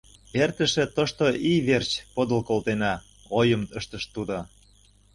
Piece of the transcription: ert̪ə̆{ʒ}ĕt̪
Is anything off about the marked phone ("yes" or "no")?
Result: yes